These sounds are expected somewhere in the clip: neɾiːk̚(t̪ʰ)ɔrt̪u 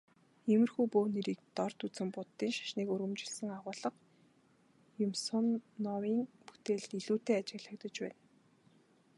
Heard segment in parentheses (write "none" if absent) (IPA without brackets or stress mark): t̪